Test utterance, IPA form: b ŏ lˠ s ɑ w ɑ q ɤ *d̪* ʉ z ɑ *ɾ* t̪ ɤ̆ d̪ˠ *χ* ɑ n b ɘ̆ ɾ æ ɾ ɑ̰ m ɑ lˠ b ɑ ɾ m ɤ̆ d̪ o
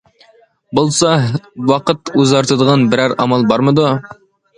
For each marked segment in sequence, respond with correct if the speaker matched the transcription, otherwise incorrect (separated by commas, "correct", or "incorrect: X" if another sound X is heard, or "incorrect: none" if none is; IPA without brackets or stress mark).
incorrect: t̪, correct, incorrect: ʁ